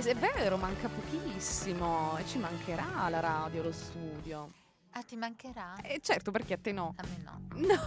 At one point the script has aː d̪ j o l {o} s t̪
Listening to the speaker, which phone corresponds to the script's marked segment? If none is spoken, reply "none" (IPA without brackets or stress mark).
o